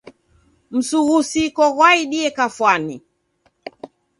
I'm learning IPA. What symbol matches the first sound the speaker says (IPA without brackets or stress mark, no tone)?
m̩